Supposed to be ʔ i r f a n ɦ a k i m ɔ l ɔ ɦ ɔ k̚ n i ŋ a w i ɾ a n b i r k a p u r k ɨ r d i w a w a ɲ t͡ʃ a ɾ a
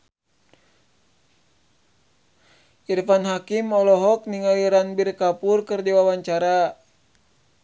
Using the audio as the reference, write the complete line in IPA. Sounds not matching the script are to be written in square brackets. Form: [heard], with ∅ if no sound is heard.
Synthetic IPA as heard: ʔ i r f a n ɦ a k i m ɔ l ɔ ɦ ɔ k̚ n i ŋ a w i ɾ a n b i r k a p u r k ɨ r d i w a w a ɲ t͡ʃ a ɾ a